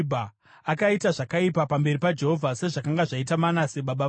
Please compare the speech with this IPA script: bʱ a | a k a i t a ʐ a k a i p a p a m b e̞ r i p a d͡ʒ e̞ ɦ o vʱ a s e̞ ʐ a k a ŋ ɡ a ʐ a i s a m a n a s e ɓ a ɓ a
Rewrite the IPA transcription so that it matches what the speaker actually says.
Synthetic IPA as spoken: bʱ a | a k a i t a ʐ a k a i p a p a m b e̞ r i p a d͡ʒ e̞ ɦ o vʱ a s e̞ ʐ a k a ŋ ɡ a ʐ a i t a m a n a s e ɓ a ɓ a